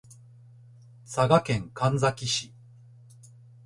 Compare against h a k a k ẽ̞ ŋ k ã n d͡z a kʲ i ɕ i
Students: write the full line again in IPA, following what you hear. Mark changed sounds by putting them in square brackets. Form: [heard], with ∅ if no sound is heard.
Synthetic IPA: [s] a [ɡ] a k ẽ̞ ŋ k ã n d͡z a kʲ i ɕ i